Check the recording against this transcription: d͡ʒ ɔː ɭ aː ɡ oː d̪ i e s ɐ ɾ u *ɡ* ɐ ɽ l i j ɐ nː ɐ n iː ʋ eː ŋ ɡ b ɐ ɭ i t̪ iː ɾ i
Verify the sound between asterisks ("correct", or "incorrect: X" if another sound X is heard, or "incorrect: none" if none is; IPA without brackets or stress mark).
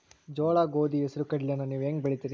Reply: incorrect: k